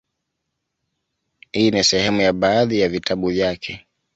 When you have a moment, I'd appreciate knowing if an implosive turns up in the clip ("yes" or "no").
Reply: yes